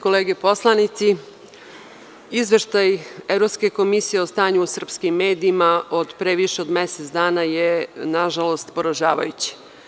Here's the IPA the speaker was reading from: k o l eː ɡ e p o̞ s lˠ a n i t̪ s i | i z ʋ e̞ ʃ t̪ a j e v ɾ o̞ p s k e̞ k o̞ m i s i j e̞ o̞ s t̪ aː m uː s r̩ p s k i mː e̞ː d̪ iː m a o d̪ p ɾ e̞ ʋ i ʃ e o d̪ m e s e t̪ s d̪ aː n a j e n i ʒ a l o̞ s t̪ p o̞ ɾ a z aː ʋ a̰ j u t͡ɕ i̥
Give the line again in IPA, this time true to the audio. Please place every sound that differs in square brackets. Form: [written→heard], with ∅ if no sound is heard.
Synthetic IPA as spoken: k o l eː ɡ e p o̞ s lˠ a n i t̪ s i | i z ʋ e̞ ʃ t̪ a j e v ɾ o̞ p s k e̞ k o̞ m i s i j e̞ o̞ s t̪ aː [m→ɲ] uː s r̩ p s k i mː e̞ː d̪ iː m a o d̪ p ɾ e̞ ʋ i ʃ e o d̪ m e s e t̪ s d̪ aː n a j e n [i→a] ʒ a l o̞ s t̪ p o̞ ɾ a [z→ʒ] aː ʋ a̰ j u t͡ɕ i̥